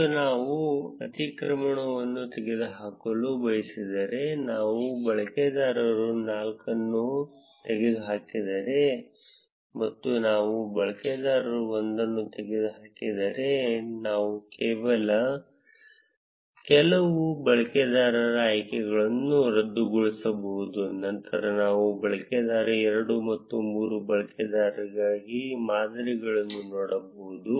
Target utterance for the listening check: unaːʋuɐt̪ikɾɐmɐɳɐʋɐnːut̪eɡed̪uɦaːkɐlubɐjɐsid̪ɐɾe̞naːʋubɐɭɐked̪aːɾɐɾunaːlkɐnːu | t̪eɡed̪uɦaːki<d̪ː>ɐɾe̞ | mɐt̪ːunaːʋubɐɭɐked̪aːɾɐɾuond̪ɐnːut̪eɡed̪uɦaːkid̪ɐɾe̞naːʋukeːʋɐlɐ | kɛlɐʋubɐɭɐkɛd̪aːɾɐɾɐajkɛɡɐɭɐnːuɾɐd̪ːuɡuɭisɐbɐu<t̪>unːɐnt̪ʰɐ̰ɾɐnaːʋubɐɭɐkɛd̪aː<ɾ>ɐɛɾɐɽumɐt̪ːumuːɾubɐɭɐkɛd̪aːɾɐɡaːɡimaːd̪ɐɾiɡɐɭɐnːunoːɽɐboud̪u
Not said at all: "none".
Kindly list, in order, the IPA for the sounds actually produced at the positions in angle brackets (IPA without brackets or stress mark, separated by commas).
d̪, d̪, ɾ